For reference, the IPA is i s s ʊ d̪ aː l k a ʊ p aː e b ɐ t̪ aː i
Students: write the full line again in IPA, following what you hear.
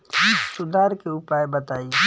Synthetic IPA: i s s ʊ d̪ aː ɾ k e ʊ p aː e b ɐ t̪ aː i